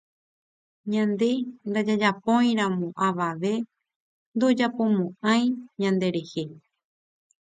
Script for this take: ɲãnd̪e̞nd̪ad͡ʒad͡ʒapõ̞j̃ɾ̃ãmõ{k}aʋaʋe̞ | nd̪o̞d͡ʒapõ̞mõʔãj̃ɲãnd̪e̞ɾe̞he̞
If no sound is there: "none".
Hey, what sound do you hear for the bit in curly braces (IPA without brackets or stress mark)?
ʔ